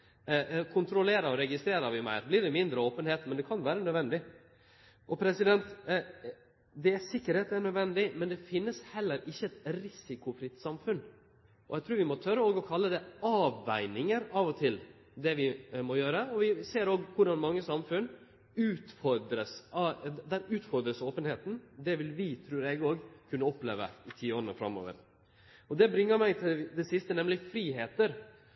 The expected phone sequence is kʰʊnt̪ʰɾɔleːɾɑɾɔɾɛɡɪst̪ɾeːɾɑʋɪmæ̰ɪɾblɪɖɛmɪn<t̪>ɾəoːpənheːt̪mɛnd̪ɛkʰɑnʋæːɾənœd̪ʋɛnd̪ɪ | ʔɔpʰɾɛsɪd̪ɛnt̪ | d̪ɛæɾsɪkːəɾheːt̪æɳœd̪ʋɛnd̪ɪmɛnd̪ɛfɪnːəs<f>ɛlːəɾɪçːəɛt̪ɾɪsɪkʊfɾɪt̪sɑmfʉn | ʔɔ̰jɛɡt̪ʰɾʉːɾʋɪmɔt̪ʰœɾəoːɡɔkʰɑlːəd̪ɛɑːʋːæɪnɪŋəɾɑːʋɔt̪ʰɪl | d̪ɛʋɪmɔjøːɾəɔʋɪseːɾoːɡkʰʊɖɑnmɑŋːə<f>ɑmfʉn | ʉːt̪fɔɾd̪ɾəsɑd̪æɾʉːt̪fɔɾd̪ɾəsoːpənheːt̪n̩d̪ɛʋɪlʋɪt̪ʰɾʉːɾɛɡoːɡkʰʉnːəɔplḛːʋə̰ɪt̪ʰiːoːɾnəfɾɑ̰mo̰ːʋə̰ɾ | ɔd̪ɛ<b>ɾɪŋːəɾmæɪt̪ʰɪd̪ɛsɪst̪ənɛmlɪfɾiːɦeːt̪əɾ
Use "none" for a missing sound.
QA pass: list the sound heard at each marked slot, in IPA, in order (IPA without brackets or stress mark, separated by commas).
d̪, h, s, b